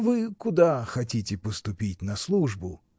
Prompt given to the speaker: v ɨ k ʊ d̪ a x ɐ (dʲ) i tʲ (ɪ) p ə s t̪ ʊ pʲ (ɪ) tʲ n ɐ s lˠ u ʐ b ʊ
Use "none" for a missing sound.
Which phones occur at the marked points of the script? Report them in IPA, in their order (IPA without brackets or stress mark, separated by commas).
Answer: tʲ, ɪ, i